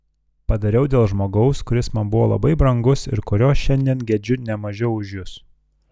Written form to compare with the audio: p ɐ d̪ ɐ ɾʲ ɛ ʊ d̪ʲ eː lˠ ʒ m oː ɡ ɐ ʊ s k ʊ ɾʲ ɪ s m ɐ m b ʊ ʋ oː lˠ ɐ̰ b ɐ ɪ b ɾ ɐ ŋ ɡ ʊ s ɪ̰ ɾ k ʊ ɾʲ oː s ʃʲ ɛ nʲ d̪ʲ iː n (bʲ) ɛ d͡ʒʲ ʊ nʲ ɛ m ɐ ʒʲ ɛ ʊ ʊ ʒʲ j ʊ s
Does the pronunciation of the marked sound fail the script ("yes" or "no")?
yes